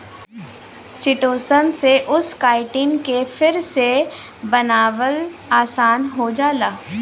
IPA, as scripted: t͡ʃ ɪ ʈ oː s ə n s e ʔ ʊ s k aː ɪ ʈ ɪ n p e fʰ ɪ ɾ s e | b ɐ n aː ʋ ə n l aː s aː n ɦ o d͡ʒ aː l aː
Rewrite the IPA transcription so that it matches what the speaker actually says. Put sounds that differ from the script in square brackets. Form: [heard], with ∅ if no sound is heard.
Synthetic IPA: t͡ʃ ɪ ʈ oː s ə n s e ʔ ʊ s k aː ɪ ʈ ɪ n [k] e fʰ ɪ ɾ s e | b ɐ n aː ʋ ə [∅] l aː s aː n ɦ o d͡ʒ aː l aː